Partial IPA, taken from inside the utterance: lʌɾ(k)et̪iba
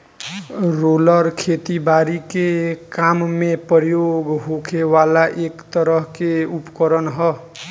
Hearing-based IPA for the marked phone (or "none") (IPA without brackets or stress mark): kʰ